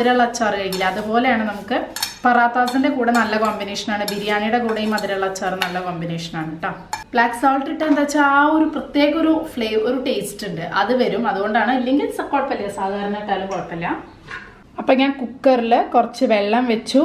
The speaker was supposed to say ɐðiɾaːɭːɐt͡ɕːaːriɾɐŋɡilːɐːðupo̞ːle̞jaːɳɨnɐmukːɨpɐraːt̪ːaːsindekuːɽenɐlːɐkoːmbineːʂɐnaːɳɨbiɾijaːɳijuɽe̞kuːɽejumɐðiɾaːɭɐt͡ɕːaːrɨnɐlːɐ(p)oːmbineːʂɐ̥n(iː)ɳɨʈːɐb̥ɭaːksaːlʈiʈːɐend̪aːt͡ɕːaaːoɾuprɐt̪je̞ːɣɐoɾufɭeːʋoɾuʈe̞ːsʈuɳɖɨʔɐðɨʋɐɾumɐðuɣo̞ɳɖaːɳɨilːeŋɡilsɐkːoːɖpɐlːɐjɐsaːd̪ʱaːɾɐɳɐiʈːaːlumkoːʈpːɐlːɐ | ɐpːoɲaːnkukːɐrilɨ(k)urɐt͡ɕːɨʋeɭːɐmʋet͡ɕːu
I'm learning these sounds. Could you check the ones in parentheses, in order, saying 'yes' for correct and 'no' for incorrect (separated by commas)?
no, no, yes